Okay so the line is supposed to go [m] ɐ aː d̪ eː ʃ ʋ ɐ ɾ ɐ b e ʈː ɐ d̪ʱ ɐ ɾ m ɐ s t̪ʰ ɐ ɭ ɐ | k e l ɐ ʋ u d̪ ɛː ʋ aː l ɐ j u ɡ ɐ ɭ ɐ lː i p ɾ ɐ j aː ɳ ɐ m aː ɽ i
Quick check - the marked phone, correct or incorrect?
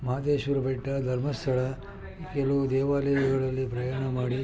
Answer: correct